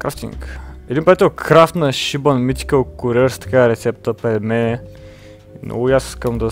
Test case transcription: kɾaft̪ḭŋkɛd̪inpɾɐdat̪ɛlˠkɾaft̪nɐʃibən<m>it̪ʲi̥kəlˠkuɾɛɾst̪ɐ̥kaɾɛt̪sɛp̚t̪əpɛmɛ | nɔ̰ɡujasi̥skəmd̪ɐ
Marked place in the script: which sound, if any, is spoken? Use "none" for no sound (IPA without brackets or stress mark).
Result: m